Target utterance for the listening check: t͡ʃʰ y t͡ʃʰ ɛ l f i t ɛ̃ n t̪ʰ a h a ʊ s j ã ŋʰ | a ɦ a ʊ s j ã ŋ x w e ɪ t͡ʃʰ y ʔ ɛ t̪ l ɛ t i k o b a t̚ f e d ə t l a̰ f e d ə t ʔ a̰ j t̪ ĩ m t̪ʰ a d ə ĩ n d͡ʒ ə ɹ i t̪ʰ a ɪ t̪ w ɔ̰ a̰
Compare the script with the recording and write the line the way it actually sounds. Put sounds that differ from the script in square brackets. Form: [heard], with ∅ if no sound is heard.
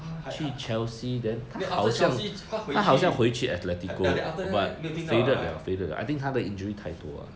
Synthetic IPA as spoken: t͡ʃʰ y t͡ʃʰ ɛ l [s] i [d] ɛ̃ n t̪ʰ a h a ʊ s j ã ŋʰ | a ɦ a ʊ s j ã ŋ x w e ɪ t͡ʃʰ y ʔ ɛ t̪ l ɛ t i k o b a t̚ f e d ə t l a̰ f e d ə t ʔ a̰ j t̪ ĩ [ŋ] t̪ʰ a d ə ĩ n d͡ʒ ə ɹ i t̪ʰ a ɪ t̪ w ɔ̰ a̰

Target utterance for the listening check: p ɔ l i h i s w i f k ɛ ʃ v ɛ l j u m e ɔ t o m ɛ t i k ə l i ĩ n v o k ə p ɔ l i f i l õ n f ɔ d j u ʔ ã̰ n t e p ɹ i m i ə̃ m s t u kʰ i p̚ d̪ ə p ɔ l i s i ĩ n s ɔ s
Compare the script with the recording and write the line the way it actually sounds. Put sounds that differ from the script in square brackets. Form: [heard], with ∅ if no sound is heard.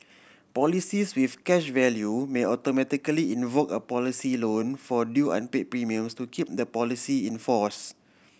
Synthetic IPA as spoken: p ɔ l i [s] i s w i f k ɛ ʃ v ɛ l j u m e ɔ t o m ɛ t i k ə l i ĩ n v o k ə p ɔ l i [s] i l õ n f ɔ d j u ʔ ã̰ n [p] e p ɹ i m i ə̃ m s t u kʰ i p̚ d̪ ə p ɔ l i s i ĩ n [f] ɔ s

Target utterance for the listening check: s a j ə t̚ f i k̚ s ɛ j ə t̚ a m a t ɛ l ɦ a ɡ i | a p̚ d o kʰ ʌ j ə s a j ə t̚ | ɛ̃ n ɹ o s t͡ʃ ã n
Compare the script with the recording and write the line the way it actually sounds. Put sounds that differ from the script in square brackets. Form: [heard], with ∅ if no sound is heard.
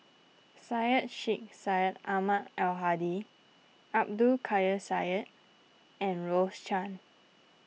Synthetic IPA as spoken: s a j ə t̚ [ʃ] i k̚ s [a] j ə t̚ a m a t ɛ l ɦ a [d] i | a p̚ d [u] kʰ [a] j ə s a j ə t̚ | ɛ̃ n ɹ o s t͡ʃ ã n

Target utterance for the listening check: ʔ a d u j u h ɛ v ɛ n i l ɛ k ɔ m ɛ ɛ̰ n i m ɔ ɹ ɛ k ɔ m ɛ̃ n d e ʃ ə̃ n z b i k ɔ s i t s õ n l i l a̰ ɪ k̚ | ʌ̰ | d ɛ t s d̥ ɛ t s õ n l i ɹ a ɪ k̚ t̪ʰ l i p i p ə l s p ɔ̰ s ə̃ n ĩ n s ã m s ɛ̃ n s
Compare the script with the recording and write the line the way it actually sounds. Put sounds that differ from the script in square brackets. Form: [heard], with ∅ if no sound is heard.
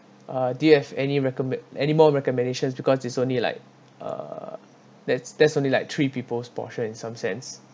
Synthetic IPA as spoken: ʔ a d u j u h ɛ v ɛ n i [ɹ] ɛ k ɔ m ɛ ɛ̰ n i m ɔ ɹ ɛ k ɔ m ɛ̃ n d e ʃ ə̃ n [s] b i k ɔ s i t s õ n l i l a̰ ɪ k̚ | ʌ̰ | d ɛ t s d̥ ɛ t s õ n l i [l] a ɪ k̚ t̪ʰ [ɹ] i p i p ə l s p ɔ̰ [ʃ] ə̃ n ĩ n s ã m s ɛ̃ n s

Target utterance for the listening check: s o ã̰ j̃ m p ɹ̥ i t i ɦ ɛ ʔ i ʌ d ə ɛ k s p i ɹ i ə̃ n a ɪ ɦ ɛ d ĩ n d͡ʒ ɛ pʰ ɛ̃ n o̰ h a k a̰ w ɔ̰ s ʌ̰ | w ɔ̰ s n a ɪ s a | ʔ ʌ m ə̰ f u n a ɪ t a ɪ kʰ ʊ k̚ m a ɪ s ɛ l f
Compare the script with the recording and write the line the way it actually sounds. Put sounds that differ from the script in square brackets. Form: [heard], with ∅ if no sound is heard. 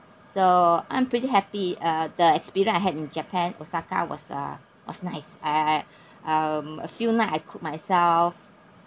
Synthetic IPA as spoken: s o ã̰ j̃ m p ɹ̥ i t i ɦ ɛ [p] i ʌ d ə ɛ k s p i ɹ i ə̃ n a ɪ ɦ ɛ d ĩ n d͡ʒ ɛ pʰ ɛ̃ n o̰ [s] a k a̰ w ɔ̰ s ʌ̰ | w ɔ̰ s n a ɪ s a | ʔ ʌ m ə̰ f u n a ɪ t a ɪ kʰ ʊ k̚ m a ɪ s ɛ l f

